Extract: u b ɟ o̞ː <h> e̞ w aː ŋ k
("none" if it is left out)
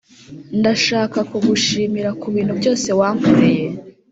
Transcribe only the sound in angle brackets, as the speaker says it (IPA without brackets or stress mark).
s